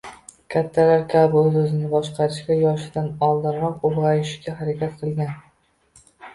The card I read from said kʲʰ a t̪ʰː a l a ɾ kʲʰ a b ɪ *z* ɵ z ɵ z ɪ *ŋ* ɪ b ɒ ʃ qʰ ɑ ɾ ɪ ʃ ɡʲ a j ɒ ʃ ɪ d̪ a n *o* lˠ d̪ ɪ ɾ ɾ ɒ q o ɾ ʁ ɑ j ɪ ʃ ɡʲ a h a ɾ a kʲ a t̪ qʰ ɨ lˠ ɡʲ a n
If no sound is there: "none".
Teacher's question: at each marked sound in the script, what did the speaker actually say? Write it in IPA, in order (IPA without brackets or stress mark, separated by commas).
none, n, ɒ